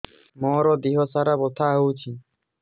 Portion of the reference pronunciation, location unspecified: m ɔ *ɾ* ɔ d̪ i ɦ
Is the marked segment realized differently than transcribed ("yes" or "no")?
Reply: no